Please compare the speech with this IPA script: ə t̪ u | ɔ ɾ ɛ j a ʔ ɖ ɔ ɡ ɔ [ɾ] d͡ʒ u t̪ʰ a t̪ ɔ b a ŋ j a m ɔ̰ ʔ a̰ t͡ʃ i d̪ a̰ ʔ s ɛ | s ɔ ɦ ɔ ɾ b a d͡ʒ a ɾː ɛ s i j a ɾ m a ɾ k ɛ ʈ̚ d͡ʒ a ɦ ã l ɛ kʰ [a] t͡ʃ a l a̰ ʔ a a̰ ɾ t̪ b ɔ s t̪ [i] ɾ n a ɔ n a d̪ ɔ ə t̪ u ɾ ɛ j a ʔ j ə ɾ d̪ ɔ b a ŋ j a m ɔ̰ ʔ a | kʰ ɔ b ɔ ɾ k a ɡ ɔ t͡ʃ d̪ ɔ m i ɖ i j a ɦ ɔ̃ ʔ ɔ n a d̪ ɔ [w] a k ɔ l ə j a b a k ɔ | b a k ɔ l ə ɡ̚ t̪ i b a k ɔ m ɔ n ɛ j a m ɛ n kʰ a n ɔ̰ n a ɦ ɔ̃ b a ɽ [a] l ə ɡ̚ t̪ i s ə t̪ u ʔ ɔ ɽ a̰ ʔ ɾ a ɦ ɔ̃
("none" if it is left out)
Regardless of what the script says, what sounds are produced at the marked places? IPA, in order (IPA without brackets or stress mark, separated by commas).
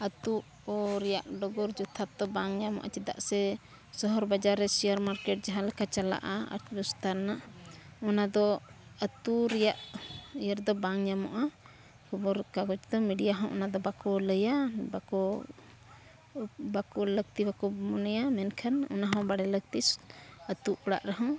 ɾ, a, a, b, ɛ